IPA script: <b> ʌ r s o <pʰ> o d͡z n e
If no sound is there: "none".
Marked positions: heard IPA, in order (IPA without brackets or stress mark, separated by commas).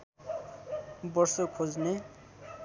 b, kʰ